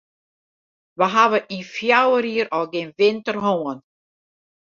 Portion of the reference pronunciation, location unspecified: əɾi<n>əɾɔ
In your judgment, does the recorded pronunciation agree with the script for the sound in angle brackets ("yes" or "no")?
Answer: no